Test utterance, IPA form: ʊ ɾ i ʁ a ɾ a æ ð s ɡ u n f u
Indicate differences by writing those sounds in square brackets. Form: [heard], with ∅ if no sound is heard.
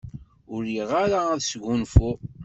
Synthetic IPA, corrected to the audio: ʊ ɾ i ʁ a ɾ a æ ð s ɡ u n f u